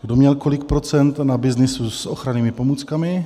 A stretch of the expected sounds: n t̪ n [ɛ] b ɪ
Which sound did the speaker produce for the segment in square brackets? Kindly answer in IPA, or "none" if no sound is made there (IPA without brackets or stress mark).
a